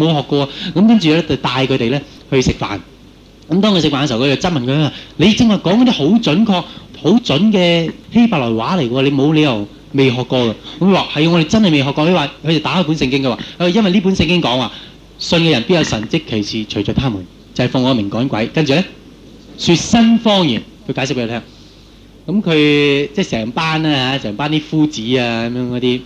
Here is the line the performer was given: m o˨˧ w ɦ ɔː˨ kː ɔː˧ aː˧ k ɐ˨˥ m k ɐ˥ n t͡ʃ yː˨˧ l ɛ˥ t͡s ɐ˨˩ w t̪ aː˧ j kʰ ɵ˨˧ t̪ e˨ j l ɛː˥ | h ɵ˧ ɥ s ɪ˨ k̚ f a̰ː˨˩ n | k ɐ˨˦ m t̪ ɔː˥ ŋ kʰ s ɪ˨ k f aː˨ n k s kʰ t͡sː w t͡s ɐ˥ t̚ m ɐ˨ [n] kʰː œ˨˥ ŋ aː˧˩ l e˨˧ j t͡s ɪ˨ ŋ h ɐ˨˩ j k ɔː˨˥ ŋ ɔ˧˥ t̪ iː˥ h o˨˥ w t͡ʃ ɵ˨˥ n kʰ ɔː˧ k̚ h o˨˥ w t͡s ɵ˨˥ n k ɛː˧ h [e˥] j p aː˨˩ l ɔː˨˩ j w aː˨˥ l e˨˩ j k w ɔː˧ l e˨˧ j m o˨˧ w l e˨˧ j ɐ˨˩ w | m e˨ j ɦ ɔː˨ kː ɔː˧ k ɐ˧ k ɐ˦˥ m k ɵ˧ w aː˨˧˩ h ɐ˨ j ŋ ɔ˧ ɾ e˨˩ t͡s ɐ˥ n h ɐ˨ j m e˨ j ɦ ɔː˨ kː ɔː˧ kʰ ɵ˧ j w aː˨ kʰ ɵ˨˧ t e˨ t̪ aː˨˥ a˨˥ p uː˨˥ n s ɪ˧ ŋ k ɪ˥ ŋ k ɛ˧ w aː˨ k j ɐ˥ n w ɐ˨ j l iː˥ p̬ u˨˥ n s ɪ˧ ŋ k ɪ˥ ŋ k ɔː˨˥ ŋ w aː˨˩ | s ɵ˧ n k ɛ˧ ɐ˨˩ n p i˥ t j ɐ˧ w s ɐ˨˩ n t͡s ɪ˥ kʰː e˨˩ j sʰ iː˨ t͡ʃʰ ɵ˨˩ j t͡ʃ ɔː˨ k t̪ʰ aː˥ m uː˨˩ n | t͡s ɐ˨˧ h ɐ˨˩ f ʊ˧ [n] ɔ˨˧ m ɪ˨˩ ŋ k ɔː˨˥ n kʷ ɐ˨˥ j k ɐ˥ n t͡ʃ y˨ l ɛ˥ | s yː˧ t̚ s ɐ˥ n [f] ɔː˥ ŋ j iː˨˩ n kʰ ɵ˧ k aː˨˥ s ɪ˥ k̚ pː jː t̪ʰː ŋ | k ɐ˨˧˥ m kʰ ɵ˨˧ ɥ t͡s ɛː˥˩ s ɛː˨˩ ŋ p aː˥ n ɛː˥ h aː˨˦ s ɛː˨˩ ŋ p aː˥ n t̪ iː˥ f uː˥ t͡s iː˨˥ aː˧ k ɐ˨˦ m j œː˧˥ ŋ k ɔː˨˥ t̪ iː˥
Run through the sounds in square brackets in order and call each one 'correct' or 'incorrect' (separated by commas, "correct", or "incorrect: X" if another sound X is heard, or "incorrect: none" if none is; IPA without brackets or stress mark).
correct, correct, incorrect: ŋ, correct